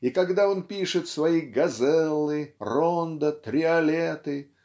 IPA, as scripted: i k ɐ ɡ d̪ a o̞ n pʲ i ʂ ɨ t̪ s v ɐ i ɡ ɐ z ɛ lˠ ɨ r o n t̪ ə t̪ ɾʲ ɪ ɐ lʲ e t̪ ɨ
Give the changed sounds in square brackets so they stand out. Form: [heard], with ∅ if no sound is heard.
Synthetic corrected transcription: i k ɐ ɡ d̪ a o̞ n pʲ i ʂ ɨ t̪ s v ɐ i ɡ ɐ z ɛ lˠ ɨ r o n [d̪] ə t̪ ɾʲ ɪ ɐ lʲ e t̪ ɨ